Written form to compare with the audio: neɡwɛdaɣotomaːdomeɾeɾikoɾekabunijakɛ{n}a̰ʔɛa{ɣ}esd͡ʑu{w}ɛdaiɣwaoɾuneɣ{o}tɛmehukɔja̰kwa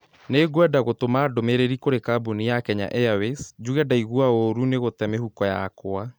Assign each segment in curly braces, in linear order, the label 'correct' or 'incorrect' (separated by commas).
incorrect, incorrect, incorrect, correct